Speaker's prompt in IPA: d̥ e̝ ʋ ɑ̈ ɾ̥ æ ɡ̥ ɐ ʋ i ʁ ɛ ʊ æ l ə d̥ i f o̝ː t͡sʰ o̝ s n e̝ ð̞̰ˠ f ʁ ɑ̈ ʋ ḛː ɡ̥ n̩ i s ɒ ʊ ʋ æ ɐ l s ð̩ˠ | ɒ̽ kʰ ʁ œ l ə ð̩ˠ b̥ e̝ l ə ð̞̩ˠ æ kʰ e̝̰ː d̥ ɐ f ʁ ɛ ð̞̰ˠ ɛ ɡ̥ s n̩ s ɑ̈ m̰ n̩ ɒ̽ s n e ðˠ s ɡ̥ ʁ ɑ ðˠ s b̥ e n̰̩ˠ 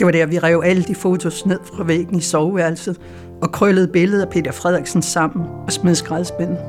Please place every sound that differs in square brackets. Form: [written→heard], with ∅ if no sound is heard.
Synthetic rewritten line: d̥ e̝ ʋ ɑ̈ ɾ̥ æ [ɡ̥→∅] ɐ ʋ i ʁ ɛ ʊ æ l ə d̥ i f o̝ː t͡sʰ o̝ s n e̝ ð̞̰ˠ f ʁ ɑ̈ ʋ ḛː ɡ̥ n̩ i s ɒ ʊ ʋ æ ɐ l s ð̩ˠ | ɒ̽ kʰ ʁ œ l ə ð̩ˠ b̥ e̝ l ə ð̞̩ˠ æ [kʰ→pʰ] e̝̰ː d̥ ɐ f ʁ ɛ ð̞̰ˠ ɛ ɡ̥ s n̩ s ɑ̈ m̰ n̩ ɒ̽ s [n→m] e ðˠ s ɡ̥ ʁ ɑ ðˠ s b̥ e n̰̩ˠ